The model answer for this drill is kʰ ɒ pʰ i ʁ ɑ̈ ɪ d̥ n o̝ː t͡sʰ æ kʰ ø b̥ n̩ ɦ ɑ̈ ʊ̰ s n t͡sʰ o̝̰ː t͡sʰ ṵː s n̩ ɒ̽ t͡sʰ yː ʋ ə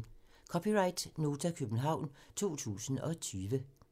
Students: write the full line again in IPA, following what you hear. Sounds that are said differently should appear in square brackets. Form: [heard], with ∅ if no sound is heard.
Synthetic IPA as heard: kʰ ɒ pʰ i ʁ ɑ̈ ɪ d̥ n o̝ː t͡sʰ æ kʰ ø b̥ n̩ ɦ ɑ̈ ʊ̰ [∅] n t͡sʰ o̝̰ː t͡sʰ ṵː s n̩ ɒ̽ t͡sʰ yː ʋ ə

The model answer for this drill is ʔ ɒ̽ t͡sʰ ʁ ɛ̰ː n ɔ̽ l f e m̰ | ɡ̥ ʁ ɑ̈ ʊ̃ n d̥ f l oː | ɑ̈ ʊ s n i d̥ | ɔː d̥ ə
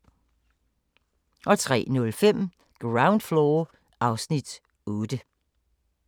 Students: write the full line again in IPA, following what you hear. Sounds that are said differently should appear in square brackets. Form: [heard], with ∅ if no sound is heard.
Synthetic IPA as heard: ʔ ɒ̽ t͡sʰ ʁ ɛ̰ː n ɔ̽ l f e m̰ | ɡ̥ ʁ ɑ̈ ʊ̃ n d̥ f l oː | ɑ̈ ʊ s n i d̥ | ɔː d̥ ə

